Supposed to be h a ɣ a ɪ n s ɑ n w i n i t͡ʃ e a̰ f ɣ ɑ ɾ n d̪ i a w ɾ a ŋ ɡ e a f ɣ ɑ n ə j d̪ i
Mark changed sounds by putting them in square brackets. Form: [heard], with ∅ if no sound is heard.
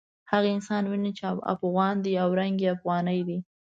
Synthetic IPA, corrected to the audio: h a ɣ a ɪ n s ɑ n w i n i t͡ʃ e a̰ f ɣ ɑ [∅] n d̪ i a w ɾ a ŋ ɡ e a f ɣ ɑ n ə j d̪ i